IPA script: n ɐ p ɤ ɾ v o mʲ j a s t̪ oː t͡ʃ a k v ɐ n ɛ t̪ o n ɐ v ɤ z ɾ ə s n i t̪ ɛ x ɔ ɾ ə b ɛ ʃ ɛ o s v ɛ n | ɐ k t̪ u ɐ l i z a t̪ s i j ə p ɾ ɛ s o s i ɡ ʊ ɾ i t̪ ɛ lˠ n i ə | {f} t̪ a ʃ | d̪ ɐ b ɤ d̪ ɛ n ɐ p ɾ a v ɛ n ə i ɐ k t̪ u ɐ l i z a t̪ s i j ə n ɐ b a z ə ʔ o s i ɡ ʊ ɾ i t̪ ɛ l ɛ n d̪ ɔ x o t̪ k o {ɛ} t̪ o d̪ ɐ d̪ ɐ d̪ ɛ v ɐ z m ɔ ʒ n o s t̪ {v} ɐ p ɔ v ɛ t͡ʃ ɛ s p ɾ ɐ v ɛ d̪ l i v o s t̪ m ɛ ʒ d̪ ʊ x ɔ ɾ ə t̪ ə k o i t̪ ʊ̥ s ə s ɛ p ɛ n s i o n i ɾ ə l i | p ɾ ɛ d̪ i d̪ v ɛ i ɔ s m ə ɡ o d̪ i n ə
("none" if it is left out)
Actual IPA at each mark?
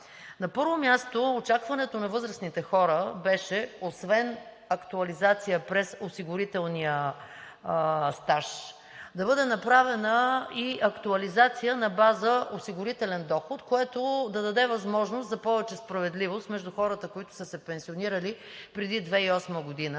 s, ɛ, z

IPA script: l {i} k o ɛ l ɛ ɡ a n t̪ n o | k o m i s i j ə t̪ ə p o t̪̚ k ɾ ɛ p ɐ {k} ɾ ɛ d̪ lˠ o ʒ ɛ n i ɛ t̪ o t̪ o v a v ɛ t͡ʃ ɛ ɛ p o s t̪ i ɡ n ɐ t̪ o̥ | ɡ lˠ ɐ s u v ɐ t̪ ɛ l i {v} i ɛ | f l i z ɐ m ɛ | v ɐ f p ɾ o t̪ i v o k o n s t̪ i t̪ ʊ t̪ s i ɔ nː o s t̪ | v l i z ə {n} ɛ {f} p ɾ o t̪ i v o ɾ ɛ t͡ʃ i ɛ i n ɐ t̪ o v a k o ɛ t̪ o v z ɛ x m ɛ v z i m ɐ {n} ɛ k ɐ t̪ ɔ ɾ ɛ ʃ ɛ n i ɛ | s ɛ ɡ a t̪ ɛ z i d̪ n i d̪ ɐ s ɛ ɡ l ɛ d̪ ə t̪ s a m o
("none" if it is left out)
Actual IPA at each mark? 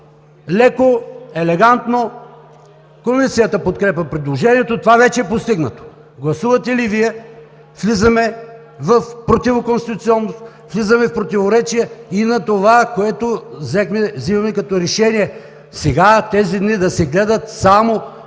ɛ, p, v, m, f, m

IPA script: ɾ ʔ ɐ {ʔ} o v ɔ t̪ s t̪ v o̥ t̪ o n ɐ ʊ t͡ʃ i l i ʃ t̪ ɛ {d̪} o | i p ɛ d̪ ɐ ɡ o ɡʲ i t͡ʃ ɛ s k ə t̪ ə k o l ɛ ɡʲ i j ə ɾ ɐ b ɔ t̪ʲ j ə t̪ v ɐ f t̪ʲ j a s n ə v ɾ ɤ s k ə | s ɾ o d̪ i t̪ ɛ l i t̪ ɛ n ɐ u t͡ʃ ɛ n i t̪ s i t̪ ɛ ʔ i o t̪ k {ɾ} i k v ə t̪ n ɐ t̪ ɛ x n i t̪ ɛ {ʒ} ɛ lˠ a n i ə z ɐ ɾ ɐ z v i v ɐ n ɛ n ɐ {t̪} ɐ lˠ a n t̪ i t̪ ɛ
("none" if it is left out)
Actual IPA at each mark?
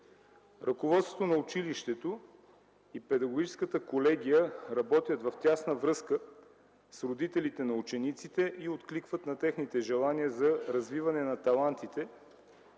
k, t̪, l, ʒ, t̪

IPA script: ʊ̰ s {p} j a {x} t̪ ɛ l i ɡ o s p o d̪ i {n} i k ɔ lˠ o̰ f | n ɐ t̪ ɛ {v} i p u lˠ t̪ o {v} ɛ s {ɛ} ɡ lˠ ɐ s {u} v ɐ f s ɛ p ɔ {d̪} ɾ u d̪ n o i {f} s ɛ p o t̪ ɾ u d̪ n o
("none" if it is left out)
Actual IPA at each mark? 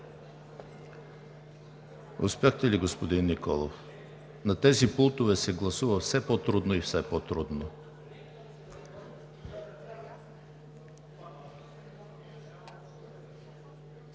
p, x, nː, z, v, ɛ, u, t̪, f

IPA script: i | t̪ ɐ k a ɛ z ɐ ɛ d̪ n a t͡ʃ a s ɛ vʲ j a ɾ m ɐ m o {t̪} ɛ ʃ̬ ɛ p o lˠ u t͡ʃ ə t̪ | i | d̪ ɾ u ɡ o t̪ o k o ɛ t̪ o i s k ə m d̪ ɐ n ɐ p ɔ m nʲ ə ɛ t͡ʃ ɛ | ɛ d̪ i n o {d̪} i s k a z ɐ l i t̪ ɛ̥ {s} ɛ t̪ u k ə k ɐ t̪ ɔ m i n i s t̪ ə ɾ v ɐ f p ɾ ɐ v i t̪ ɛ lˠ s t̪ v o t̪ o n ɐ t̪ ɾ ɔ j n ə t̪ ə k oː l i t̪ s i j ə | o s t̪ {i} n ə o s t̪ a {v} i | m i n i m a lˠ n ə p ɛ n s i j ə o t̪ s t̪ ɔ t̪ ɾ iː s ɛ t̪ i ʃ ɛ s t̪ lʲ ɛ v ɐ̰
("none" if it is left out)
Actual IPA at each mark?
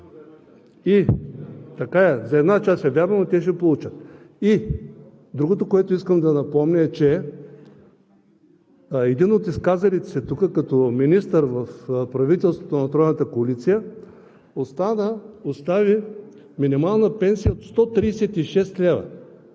t̪, t̪, s, a, v

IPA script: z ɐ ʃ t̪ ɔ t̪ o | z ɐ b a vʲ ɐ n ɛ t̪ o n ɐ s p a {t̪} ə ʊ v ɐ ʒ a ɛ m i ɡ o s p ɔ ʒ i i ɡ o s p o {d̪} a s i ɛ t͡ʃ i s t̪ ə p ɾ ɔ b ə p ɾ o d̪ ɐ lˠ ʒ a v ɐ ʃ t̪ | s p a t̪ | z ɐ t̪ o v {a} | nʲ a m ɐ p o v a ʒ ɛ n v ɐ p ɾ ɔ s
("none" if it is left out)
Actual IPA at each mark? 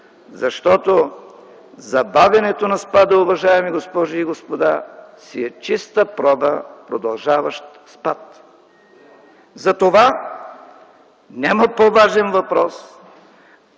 d̪, d̪, a

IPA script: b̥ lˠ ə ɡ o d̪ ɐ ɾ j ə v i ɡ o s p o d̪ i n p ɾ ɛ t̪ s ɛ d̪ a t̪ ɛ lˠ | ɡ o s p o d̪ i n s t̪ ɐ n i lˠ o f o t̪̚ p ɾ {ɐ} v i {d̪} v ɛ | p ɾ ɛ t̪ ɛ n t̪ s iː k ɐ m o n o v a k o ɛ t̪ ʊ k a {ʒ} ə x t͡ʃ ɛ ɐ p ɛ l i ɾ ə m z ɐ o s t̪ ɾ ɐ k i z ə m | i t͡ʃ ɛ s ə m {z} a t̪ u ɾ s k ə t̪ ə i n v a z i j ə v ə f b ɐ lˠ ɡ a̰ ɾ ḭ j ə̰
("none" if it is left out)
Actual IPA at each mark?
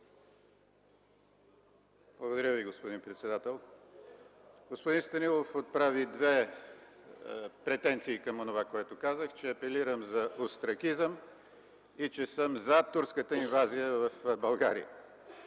a, d̪, z, z

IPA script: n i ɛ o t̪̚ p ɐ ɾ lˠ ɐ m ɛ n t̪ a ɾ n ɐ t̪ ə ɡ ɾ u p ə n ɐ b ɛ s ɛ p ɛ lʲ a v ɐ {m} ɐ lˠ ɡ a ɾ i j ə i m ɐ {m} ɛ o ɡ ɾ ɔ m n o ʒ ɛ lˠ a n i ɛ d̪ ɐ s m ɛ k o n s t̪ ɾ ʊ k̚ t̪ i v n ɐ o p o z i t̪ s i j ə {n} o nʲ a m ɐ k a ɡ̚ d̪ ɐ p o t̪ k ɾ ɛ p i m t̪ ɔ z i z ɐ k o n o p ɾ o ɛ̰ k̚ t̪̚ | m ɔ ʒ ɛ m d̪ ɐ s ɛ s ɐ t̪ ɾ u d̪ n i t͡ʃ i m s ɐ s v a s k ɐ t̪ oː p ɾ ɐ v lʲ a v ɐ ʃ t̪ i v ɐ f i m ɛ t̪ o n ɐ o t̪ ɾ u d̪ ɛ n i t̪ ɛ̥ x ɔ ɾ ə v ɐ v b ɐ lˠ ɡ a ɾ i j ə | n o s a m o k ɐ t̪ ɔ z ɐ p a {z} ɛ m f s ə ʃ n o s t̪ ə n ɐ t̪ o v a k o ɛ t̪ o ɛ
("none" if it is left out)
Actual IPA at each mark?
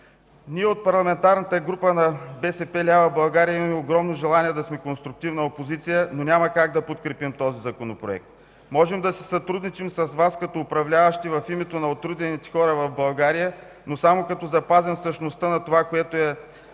b, m, n, z

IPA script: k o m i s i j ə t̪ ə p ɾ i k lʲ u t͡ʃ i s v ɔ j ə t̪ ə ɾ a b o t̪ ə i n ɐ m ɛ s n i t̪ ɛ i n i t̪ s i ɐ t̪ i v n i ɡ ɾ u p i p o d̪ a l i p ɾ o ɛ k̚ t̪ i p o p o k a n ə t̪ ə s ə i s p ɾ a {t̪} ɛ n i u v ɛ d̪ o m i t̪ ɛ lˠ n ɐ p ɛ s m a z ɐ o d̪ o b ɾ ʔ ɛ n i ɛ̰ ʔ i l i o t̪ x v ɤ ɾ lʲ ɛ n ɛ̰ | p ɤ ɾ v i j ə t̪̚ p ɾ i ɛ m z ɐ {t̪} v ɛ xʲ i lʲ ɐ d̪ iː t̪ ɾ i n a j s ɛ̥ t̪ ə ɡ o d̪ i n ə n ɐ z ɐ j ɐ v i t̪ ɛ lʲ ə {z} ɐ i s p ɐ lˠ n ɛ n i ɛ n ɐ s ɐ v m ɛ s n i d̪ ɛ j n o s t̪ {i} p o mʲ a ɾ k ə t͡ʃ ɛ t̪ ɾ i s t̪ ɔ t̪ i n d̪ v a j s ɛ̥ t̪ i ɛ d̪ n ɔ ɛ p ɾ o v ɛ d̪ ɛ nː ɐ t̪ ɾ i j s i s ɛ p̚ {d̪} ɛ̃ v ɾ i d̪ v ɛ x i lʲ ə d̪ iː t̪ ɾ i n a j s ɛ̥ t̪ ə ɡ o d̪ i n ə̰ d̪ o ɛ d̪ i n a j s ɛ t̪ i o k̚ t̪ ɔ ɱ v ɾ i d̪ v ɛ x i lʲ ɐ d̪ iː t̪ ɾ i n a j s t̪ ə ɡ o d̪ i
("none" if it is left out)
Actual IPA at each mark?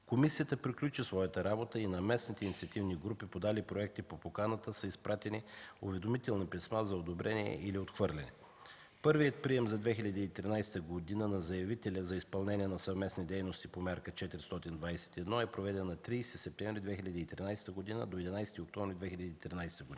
t̪, d̪, z, i, t̪

